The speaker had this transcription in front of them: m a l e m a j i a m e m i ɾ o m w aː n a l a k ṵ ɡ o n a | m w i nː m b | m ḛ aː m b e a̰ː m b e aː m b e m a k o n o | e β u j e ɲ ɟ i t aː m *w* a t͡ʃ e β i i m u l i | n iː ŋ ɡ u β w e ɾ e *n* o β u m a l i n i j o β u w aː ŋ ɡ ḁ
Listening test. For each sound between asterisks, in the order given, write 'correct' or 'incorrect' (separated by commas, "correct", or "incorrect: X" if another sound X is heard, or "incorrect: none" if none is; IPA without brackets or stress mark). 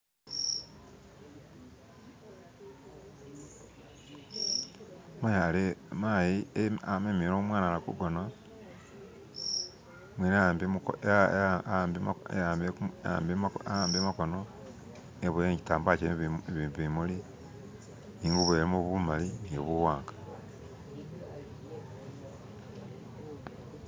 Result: incorrect: b, incorrect: m